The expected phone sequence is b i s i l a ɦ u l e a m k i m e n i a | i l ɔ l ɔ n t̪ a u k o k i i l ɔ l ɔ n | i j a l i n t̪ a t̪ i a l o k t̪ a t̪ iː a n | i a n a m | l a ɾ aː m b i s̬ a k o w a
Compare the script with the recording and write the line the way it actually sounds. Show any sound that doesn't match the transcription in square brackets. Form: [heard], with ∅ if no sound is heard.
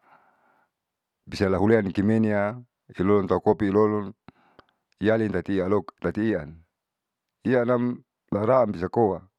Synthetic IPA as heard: b i s [a] l a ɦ u l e a [n] k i m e n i a | i l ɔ l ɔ n t̪ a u k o [p] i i l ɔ l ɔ n | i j a l i n t̪ a t̪ i a l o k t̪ a t̪ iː a n | i a n a m | l a ɾ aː m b i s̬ a k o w a